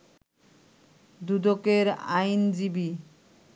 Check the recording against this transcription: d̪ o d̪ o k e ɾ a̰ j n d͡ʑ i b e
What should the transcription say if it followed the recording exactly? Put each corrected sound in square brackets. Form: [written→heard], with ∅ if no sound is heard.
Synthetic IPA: d̪ [o→u] d̪ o k e ɾ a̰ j n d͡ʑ i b [e→i]